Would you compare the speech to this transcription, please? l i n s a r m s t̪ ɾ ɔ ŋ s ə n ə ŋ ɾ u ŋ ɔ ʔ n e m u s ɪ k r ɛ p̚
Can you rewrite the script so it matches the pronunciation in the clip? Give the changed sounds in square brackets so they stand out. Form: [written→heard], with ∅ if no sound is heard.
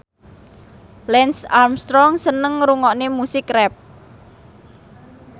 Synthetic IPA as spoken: l [i→ɛ] n s a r m s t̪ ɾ ɔ ŋ s ə n ə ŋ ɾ u ŋ ɔ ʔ n e m u s ɪ k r ɛ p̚